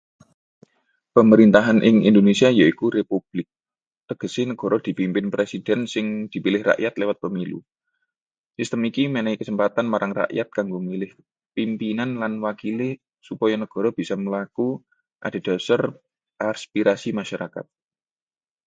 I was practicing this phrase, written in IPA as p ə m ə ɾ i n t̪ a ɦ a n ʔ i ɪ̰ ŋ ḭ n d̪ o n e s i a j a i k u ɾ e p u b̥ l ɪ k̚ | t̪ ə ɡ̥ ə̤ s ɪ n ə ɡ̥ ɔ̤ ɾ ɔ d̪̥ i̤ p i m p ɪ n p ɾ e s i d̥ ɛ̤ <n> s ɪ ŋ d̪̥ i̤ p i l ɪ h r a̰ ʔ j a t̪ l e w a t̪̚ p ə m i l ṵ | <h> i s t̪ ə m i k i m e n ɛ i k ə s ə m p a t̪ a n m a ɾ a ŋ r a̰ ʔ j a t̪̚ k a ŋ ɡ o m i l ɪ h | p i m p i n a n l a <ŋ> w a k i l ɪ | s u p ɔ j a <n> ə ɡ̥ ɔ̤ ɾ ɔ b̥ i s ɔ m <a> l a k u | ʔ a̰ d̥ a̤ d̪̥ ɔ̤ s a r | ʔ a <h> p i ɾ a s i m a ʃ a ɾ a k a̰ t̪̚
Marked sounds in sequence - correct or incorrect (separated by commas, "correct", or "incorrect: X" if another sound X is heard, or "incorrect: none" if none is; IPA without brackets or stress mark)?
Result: correct, incorrect: s, incorrect: n, correct, incorrect: ə, incorrect: s